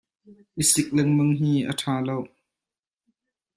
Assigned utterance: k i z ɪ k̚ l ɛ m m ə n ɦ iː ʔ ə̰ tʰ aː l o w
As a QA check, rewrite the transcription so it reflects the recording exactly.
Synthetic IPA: ʔ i s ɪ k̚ l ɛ ŋ m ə ŋ ɦ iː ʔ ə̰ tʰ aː l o w